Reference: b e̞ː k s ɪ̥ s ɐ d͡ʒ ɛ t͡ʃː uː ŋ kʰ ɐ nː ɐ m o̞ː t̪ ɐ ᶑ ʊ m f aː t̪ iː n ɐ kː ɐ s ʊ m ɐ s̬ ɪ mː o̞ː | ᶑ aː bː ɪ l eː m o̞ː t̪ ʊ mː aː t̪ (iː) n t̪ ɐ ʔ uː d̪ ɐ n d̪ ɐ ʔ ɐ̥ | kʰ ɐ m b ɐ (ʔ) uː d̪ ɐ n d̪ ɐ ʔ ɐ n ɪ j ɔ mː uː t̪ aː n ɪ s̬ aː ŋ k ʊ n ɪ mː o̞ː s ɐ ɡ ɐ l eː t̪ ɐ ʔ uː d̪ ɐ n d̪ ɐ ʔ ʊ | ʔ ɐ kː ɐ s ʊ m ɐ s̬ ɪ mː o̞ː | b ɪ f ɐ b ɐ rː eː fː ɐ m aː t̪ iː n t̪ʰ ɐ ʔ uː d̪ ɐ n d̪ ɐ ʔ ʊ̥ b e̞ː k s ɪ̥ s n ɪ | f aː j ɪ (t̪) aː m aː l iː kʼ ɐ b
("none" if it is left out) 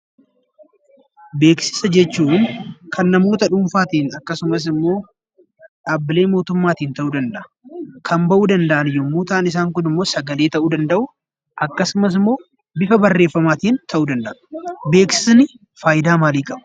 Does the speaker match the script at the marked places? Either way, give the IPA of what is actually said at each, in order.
iː, ʔ, d̪

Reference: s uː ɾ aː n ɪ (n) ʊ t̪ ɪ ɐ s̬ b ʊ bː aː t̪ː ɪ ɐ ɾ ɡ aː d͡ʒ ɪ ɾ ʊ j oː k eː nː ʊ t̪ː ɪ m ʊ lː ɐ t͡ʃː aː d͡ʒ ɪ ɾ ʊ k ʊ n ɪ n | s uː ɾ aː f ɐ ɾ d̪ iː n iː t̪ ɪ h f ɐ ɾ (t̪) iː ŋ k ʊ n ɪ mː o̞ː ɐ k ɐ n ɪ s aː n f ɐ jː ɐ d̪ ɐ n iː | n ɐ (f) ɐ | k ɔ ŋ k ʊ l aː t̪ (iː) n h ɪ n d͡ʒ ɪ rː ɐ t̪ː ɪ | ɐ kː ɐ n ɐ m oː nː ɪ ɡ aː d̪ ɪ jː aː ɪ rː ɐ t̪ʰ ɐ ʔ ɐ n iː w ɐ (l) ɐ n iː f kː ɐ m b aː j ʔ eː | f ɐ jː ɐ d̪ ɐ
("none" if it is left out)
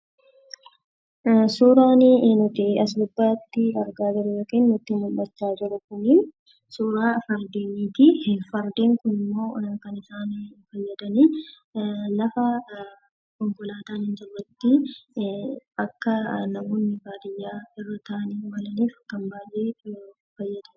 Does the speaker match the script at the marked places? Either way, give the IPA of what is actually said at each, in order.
n, d̪, f, aː, l

